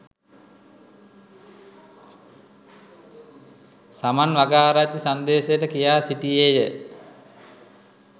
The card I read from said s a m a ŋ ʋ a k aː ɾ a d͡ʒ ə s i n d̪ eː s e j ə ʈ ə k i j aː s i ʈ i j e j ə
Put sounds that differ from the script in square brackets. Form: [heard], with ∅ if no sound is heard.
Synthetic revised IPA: s a m a [n] ʋ a [ɡ] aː ɾ a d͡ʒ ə s [a] n d̪ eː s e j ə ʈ ə k i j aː s i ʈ i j e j ə